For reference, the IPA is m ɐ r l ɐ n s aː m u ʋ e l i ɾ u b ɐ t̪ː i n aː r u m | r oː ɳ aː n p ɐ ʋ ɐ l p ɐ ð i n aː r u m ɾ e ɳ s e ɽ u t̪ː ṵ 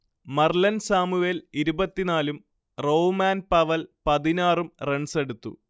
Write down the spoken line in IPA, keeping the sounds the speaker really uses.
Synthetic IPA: m ɐ r l ɐ n s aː m u ʋ e l i ɾ u b ɐ t̪ː i n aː l u m | r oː m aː n p ɐ ʋ ɐ l p ɐ ð i n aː r u m r e ɳ s e ɽ u t̪ː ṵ